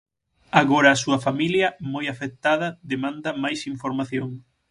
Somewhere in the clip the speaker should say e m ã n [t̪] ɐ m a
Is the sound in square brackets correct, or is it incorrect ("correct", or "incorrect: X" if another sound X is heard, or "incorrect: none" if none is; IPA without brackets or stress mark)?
incorrect: d̪